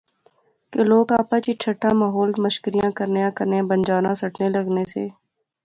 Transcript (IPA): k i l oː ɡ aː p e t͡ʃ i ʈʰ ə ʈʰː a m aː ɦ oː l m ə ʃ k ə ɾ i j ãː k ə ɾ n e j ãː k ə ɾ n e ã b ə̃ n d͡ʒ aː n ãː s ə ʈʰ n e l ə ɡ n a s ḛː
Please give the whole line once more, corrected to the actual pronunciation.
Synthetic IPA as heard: k e l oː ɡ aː p a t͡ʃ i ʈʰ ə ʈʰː a m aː ɦ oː l m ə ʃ k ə ɾ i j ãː k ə ɾ n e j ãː k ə ɾ n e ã b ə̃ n d͡ʒ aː n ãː s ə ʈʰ n e l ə ɡ n e s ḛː